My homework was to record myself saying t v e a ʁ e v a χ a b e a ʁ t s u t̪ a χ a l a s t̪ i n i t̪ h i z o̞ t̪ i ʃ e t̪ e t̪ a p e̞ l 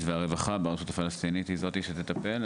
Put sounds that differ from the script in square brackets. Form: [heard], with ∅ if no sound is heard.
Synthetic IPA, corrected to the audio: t v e a ʁ e v a χ a b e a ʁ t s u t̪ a [f] a l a s t̪ i n i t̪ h i z o̞ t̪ i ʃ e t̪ e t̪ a p e̞ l